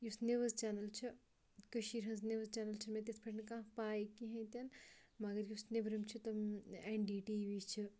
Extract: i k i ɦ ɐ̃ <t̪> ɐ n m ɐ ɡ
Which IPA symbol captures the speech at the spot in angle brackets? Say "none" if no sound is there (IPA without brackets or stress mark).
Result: t̪